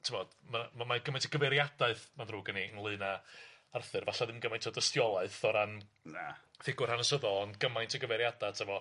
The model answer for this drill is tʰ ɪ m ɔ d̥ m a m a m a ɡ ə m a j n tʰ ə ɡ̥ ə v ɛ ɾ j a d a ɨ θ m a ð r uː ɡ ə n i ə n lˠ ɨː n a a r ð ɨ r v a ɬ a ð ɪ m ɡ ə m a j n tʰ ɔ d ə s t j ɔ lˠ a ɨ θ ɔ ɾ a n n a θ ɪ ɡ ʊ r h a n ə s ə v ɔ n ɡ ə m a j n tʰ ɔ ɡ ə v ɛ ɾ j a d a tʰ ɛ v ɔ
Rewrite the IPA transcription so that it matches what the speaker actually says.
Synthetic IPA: tʰ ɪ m ɔ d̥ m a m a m a ɡ ə m a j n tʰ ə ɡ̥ ə v ɛ ɾ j a d a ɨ θ m a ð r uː ɡ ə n i ə n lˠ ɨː n a a r θ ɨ r v a ɬ a ð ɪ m ɡ ə m a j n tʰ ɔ d ə s t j ɔ lˠ a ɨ θ ɔ ɾ a n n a θ ɪ ɡ ʊ r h a n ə s ə ð ɔ n ɡ ə m a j n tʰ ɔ ɡ ə v ɛ ɾ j a d a tʰ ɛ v ɔ